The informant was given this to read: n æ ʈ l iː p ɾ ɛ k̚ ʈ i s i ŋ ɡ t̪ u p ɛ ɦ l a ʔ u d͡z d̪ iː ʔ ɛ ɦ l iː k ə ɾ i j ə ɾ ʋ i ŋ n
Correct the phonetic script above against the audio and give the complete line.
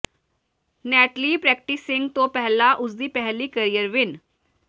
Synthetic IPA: n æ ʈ l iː p ɾ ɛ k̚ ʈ i s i ŋ ɡ t̪ o p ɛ ɦ l a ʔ u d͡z d̪ iː p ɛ ɦ l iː k ə ɾ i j ə ɾ ʋ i n